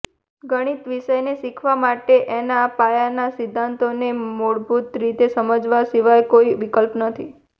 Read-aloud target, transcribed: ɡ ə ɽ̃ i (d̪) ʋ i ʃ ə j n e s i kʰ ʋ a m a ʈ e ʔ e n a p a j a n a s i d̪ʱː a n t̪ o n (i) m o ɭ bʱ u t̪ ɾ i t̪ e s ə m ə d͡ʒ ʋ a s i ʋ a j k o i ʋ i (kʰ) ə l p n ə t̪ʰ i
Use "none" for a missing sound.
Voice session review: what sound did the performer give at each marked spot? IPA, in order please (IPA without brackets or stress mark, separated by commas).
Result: t̪, e, k